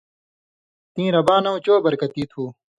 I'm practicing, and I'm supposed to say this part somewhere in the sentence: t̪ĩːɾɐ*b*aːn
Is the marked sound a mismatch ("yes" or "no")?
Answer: no